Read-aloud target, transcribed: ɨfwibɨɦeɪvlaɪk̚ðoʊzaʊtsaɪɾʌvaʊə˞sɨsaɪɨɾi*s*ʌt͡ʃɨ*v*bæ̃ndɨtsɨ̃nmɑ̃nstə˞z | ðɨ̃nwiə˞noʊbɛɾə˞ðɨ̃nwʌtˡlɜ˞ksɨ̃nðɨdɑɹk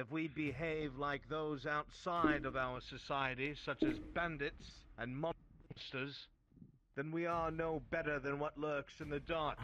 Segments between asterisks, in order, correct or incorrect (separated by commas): correct, incorrect